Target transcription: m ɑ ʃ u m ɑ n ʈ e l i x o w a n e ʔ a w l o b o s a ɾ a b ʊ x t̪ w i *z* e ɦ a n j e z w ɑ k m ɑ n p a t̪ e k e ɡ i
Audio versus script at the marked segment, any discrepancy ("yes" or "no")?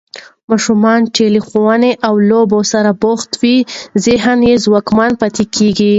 no